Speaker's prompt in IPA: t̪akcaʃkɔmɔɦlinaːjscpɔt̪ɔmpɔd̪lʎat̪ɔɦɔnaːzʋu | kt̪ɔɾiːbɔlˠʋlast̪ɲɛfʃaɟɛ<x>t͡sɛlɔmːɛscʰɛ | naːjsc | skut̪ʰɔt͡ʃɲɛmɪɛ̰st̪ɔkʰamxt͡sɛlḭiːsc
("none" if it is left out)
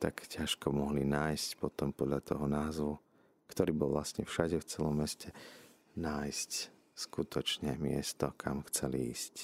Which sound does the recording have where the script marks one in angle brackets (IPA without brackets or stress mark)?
f